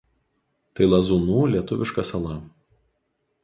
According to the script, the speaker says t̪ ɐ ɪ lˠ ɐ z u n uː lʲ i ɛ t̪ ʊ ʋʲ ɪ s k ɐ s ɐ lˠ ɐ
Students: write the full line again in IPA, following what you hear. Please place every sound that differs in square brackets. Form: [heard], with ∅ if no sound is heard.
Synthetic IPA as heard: t̪ ɐ ɪ lˠ ɐ z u n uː lʲ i ɛ t̪ ʊ ʋʲ ɪ [ʃ] k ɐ s ɐ lˠ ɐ